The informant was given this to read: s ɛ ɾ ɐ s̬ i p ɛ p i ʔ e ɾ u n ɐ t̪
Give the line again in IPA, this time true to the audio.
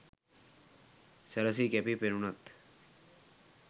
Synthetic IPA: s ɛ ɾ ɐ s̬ i k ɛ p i p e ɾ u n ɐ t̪